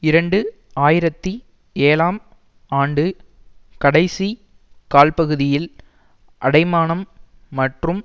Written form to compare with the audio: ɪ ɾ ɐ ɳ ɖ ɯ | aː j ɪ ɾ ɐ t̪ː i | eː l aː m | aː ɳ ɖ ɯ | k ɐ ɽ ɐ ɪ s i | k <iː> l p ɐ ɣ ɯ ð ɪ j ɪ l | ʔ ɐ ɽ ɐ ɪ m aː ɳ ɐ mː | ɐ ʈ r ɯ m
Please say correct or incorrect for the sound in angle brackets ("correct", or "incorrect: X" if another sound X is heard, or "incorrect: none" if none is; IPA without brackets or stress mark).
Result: incorrect: aː